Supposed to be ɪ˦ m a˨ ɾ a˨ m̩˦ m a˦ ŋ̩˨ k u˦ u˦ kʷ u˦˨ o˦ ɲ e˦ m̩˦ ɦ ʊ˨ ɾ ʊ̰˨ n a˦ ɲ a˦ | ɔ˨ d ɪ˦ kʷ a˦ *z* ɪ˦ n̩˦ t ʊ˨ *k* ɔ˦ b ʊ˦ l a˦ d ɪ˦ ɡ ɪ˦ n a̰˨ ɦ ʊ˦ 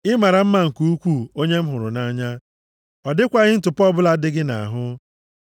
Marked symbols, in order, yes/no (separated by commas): no, no